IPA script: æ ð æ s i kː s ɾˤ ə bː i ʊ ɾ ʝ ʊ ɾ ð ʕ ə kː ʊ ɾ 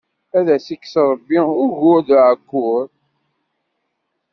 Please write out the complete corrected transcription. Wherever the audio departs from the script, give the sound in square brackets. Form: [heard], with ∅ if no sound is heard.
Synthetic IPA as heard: æ ð æ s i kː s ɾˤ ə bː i ʊ ɾ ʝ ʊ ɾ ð ʕ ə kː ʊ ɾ